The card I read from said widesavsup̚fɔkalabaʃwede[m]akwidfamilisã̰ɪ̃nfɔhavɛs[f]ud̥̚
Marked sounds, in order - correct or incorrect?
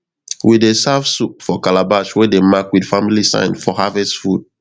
correct, correct

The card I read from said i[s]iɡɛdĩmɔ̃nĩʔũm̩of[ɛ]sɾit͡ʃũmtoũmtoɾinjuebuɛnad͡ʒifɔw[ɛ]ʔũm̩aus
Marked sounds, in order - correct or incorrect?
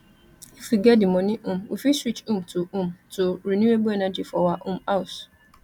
incorrect, incorrect, incorrect

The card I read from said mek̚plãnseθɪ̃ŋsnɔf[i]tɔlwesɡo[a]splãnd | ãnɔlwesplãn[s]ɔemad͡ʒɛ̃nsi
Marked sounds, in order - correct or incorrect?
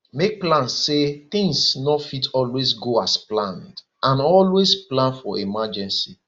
correct, correct, incorrect

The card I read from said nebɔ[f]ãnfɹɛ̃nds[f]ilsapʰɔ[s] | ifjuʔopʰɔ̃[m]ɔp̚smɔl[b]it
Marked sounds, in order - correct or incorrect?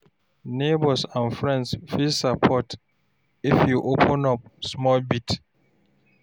incorrect, correct, incorrect, incorrect, correct

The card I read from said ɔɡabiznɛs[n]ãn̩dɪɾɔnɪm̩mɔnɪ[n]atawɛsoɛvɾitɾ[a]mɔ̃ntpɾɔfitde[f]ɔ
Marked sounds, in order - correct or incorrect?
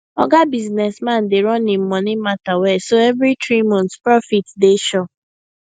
incorrect, incorrect, incorrect, incorrect

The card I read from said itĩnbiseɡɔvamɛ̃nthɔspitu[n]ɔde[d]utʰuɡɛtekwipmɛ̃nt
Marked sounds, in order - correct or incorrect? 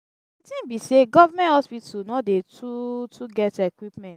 correct, incorrect

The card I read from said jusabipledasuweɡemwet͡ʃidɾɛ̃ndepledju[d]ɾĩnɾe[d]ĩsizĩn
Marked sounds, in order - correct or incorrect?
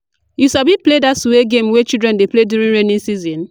incorrect, incorrect

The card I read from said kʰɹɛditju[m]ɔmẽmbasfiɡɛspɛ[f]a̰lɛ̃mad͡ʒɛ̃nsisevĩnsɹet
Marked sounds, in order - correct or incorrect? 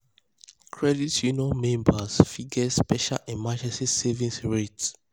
incorrect, incorrect

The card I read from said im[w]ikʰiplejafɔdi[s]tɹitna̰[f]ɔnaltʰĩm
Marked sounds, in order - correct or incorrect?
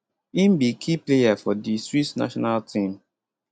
incorrect, correct, incorrect

